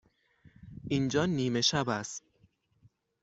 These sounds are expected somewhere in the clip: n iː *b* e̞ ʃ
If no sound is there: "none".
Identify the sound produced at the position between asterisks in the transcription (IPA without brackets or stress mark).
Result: m